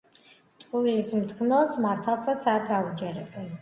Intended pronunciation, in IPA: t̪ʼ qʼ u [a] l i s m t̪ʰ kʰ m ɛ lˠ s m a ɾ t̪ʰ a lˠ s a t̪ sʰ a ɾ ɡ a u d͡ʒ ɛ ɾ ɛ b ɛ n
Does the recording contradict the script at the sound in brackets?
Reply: yes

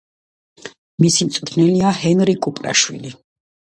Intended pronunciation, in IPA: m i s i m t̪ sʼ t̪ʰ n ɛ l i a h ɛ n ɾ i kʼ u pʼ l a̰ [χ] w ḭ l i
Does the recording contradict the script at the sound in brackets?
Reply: yes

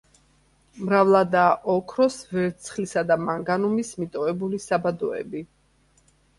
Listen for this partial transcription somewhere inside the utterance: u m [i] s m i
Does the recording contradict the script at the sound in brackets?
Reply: no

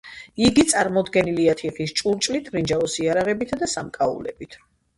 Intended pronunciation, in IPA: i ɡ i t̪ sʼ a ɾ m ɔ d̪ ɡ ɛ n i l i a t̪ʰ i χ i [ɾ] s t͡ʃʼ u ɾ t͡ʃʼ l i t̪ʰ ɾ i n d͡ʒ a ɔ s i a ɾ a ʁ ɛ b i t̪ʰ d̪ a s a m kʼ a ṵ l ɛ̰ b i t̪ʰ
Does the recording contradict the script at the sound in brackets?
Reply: yes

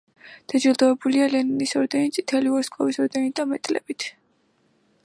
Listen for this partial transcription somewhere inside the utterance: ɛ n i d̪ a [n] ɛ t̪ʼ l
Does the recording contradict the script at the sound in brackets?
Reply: yes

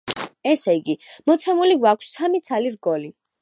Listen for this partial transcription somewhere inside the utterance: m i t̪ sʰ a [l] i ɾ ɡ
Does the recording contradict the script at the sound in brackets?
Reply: no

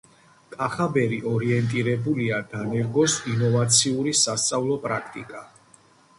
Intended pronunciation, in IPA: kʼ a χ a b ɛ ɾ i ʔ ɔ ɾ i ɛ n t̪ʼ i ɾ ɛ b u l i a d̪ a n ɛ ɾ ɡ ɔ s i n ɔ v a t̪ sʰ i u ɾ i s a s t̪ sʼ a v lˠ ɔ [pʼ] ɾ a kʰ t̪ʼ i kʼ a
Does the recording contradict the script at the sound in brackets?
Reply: no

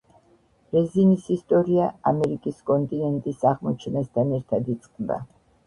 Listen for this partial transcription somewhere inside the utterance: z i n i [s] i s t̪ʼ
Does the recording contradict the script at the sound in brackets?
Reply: no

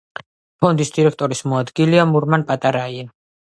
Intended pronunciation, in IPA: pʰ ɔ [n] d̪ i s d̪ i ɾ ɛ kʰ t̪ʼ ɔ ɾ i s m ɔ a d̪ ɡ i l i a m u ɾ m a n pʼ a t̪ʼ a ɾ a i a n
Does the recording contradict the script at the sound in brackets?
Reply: no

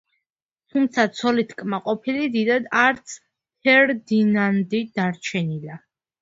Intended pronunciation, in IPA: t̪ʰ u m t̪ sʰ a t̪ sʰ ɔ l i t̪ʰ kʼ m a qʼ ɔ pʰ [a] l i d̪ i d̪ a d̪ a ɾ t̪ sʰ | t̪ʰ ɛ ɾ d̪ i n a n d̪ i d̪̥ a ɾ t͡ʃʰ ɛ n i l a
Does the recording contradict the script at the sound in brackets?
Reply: yes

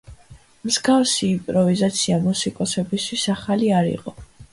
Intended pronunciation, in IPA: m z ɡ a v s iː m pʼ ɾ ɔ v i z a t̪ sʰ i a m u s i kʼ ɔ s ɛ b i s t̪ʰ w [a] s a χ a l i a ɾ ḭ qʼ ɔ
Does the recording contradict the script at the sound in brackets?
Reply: yes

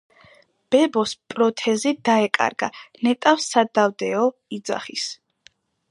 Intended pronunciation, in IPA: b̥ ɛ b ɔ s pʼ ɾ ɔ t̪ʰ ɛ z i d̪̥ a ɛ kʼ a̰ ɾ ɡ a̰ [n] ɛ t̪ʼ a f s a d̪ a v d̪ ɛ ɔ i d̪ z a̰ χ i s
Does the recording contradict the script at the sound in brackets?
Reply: no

